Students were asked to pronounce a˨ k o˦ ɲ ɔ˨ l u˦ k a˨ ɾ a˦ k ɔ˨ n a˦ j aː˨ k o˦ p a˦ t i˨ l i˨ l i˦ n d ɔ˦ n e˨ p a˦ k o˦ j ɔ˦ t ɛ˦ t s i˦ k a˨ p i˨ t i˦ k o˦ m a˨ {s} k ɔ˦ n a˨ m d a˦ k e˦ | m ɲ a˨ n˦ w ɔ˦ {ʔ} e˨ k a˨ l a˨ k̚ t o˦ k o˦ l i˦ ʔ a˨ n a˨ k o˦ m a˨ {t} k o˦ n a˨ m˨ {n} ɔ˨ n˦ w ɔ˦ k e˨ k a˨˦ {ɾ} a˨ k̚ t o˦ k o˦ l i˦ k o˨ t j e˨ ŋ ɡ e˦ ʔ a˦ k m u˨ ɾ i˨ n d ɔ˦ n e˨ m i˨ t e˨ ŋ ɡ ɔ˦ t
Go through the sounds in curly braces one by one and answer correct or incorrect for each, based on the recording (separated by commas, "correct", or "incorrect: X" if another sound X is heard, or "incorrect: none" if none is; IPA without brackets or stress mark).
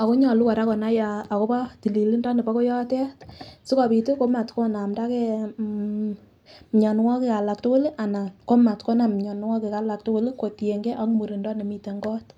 incorrect: t, incorrect: k, correct, incorrect: ɲ, incorrect: l